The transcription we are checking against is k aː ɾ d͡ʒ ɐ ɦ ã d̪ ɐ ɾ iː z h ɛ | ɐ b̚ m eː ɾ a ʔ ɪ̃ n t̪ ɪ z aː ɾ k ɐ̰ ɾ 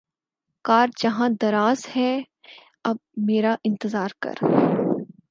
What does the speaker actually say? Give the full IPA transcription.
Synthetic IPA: k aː ɾ d͡ʒ ɐ ɦ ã d̪ ɐ ɾ aː z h ɛ | ɐ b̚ m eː ɾ a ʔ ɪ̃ n t̪ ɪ z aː ɾ k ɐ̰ ɾ